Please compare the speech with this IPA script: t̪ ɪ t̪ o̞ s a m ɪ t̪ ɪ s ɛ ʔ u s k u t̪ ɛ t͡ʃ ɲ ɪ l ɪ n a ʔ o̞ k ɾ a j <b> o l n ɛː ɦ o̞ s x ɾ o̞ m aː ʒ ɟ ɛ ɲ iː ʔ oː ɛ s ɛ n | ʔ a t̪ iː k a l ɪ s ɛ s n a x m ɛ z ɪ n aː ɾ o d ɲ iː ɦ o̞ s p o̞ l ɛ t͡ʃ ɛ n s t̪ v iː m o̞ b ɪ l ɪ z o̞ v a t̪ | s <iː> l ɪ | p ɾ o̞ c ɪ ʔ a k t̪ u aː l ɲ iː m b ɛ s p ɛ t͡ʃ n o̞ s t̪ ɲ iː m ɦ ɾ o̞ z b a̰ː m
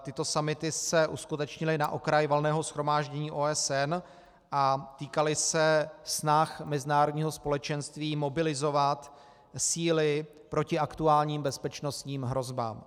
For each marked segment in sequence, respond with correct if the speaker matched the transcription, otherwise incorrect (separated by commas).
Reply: incorrect, correct